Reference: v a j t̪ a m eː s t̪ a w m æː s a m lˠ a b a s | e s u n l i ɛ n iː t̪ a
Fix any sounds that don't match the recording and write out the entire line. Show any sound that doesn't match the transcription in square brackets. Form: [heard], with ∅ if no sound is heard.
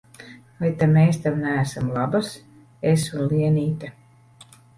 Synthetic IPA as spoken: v a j t̪ a m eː s t̪ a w [n] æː s a m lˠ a b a s | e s u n l i ɛ n iː t̪ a